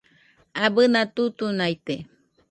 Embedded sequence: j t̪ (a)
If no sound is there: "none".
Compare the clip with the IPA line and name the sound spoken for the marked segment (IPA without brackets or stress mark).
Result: e